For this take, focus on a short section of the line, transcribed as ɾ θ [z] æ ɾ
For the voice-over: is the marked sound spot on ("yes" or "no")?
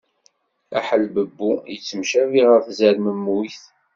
yes